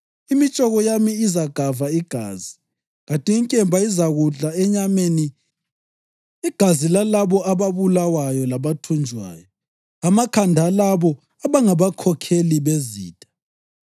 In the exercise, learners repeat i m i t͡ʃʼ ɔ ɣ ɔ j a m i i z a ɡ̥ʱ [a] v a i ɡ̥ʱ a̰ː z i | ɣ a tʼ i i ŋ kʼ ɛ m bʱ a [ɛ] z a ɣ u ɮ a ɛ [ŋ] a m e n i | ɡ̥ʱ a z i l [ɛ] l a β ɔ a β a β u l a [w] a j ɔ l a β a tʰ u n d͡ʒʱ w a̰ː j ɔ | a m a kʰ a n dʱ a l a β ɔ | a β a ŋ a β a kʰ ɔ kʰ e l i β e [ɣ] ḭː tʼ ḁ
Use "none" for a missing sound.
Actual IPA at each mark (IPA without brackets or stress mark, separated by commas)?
a, i, ɲ, a, w, z